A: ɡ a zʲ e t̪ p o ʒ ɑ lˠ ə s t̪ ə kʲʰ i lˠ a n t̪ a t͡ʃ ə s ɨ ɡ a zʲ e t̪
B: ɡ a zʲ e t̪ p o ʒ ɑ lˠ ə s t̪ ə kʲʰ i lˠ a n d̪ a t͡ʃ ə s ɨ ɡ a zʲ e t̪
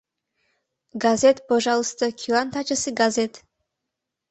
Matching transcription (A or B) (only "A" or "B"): A